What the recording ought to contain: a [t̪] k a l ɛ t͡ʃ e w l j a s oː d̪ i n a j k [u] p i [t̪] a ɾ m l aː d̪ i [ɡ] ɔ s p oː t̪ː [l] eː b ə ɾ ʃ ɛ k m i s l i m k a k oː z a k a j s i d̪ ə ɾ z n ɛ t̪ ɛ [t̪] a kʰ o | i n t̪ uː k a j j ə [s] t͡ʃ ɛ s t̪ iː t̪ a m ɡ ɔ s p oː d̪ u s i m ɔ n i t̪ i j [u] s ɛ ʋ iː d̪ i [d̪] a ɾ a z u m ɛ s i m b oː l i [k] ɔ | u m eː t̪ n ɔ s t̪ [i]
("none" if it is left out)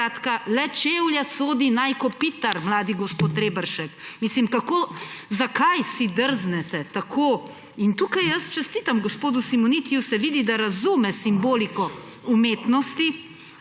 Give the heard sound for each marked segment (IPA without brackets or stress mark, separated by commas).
t̪, ɔ, t̪, ɡ, ɾ, t̪, s, u, d̪, k, i